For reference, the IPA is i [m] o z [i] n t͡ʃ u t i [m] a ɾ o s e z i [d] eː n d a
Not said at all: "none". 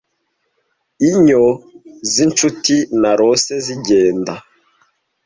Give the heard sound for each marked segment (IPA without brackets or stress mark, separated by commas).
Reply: ɲ, i, n, ɟ